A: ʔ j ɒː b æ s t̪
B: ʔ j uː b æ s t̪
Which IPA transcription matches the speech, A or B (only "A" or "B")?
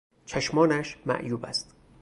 B